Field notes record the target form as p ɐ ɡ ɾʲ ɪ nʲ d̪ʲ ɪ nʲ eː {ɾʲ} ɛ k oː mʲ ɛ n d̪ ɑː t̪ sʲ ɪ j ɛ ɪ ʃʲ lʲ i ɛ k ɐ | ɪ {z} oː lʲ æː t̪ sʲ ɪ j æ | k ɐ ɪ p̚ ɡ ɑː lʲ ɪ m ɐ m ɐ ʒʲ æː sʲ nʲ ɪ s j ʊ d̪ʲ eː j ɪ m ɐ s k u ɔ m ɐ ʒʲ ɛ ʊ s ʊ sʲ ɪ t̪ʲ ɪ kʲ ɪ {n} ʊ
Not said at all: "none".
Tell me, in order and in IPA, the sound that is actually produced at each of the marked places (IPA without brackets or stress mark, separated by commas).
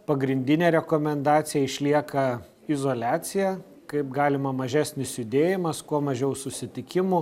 ɾʲ, z, m